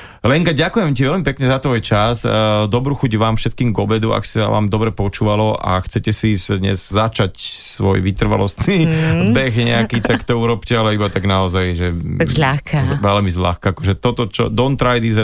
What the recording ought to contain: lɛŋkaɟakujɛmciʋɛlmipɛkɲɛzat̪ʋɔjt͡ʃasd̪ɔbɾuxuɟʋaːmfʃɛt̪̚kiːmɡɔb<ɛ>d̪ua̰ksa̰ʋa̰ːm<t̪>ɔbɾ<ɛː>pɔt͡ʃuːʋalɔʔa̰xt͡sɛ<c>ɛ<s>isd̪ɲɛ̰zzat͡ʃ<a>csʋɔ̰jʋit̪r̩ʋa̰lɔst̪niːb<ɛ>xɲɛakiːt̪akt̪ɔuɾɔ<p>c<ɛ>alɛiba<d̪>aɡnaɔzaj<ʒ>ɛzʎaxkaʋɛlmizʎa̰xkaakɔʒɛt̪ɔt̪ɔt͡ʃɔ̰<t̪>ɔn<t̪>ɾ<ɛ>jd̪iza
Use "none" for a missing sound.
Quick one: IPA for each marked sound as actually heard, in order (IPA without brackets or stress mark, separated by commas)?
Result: ɛ, d̪, ɛ, c, s, a, ɛ, p, ɛ, t̪, ʒ, d̪, t̪, a